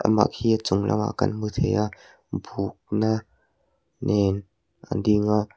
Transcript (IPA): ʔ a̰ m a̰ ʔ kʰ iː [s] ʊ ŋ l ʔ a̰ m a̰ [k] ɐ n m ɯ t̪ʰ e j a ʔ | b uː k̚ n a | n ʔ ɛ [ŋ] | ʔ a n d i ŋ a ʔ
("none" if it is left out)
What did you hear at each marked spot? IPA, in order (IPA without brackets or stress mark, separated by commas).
t͡s, k, n